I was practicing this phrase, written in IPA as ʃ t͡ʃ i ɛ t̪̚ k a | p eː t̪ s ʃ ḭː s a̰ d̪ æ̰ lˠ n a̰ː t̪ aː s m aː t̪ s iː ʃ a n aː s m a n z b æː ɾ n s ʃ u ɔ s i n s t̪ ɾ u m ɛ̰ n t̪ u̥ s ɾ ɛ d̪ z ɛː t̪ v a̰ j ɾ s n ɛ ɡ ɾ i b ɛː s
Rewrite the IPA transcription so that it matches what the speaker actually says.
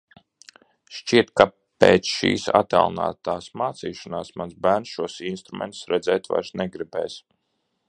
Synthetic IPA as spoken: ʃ t͡ʃ i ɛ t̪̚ k a | p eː t̪ s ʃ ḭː s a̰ t̪ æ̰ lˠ n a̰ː t̪ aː s m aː t̪ s iː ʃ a n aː s m a n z b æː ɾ n s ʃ u ɔ s i n s t̪ ɾ u m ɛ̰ n t̪ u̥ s ɾ ɛ d̪ z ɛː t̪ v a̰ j ɾ s n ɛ ɡ ɾ i b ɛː s